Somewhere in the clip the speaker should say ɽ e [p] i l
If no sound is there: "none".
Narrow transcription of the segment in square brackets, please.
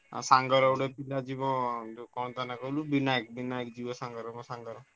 p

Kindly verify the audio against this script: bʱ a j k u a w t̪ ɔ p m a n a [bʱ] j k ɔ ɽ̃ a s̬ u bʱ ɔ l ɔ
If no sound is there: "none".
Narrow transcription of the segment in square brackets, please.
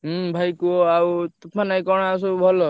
none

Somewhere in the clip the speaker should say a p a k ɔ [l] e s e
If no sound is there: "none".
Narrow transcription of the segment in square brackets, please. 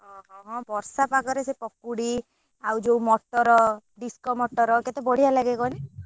ɾ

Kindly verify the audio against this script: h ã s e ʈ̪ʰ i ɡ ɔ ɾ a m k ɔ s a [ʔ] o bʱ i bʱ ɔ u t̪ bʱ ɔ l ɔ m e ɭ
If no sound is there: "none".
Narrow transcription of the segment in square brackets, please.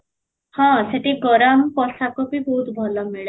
k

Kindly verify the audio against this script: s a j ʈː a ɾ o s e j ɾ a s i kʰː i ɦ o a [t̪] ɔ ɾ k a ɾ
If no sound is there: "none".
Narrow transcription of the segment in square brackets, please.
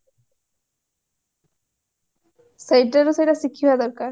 d̪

